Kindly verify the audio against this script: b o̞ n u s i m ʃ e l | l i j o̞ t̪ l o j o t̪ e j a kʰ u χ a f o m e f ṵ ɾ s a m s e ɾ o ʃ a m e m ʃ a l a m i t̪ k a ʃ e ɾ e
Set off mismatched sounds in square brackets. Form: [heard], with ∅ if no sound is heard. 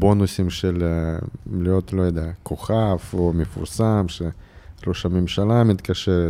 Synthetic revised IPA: b o̞ n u s i m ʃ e l | l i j o̞ t̪ l o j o [d̪] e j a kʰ [o] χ a f o m e f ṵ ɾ s a m [ʃ] e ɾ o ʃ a m e m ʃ a l a m i t̪ k a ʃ e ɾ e